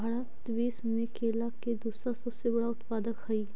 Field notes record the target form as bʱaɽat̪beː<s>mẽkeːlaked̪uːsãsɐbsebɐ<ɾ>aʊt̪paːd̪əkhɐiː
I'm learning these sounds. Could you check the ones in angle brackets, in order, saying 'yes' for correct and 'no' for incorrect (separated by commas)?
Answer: yes, no